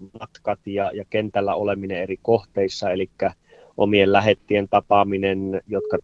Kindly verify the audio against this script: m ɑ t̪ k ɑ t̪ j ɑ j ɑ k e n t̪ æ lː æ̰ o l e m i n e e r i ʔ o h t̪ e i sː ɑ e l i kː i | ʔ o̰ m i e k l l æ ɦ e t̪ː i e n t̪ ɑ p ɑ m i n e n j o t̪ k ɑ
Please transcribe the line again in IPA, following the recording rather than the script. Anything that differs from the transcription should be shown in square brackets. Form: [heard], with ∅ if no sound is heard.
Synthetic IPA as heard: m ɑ t̪ k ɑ t̪ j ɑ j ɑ k e n t̪ æ lː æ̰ o l e m i n e e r i [k] o h t̪ e i sː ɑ e l i kː [æ] | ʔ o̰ m i e [∅] l l æ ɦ e t̪ː i e n t̪ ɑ p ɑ m i n e n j o t̪ k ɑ